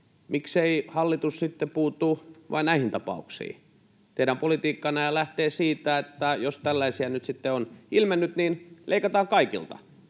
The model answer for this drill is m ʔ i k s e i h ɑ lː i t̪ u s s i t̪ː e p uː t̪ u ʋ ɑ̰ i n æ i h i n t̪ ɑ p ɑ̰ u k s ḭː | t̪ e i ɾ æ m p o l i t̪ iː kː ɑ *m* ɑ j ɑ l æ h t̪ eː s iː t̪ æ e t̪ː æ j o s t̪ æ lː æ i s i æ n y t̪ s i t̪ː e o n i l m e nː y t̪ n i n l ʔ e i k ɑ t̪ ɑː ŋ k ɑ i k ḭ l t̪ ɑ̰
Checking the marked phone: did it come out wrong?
yes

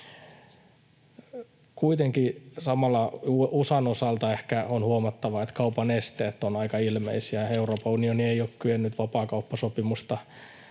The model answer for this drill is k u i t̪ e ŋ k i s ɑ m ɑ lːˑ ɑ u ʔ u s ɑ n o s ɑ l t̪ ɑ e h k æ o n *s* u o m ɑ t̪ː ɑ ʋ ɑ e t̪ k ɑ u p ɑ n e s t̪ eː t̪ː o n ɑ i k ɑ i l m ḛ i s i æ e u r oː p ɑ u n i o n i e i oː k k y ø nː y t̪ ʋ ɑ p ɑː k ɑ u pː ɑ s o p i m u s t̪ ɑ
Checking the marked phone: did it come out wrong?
yes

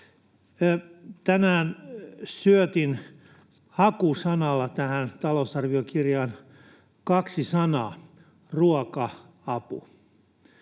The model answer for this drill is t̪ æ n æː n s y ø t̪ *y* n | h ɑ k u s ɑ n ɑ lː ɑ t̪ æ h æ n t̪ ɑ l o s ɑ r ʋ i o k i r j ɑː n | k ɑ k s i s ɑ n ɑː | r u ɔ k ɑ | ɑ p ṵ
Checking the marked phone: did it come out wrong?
yes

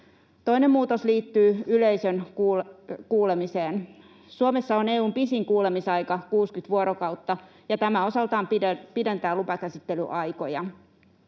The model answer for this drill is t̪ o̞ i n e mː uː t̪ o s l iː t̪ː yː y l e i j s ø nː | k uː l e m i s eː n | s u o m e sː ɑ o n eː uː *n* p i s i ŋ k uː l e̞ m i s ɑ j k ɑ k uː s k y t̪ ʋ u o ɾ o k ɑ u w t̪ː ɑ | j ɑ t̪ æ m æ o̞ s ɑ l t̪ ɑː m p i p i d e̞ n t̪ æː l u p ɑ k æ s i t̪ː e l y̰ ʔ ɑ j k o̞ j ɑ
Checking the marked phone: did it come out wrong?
yes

